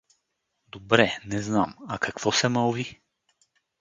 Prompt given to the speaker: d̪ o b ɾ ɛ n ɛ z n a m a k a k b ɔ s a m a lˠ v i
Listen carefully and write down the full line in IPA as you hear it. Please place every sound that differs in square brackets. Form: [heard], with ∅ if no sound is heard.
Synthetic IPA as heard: d̪ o b ɾ ɛ n ɛ z n a m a k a k [v] ɔ s [ɛ] m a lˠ v i